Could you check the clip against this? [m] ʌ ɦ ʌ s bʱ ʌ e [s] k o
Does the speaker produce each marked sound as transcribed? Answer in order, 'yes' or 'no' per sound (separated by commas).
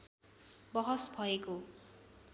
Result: no, no